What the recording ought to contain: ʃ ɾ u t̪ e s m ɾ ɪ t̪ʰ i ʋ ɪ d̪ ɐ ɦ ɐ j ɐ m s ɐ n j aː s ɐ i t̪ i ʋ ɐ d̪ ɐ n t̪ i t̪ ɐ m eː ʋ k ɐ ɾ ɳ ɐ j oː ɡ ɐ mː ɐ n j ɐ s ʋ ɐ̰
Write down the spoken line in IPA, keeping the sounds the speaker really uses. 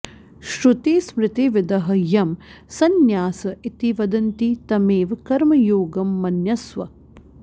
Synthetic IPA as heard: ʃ ɾ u t̪ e s m ɾ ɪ t̪ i ʋ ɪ d̪ ɐ ɦ ɐ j ɐ m s ɐ n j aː s ɐ i t̪ i ʋ ɐ d̪ ɐ n t̪ i t̪ ɐ m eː ʋ k ɐ ɾ m ɐ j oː ɡ ɐ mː ɐ n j ɐ s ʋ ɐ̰